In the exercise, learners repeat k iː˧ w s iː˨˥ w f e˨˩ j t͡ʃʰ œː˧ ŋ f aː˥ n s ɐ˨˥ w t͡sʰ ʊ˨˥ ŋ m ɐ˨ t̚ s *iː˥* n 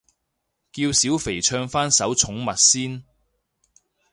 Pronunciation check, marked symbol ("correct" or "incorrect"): correct